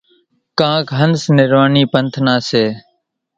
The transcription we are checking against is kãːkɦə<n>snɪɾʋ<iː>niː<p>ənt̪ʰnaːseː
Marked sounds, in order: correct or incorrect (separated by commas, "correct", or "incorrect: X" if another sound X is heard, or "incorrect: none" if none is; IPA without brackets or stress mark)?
correct, incorrect: aː, correct